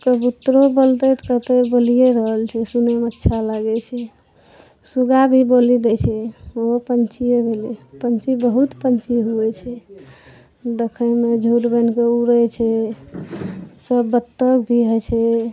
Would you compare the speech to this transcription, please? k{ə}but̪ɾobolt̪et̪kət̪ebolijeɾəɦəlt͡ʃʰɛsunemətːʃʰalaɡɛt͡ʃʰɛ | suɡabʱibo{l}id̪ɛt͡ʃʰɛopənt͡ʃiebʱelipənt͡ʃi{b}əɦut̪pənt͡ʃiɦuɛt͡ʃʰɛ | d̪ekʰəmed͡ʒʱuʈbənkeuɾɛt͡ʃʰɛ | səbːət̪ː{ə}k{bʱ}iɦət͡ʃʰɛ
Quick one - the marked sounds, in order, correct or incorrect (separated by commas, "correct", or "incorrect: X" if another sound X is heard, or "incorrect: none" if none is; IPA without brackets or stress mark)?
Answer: correct, correct, correct, correct, correct